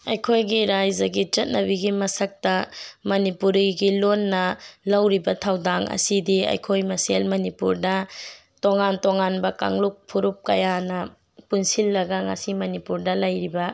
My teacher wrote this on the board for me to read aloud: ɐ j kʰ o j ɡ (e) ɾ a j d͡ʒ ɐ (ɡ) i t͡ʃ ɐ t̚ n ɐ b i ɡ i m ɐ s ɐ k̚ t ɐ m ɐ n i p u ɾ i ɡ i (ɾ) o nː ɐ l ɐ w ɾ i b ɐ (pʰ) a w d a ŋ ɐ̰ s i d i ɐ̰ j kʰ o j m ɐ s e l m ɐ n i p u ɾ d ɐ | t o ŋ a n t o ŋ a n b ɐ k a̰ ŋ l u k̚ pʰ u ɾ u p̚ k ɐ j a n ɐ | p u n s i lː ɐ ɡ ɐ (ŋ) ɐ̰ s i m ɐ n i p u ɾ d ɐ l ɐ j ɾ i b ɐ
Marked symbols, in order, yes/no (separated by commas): no, yes, no, no, yes